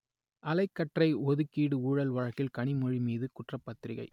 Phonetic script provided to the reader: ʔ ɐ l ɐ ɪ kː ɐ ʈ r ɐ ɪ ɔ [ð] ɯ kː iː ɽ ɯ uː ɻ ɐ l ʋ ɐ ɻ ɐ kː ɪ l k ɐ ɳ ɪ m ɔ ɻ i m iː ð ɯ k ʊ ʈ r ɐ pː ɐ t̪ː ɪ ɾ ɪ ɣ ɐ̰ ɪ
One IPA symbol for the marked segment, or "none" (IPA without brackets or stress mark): ð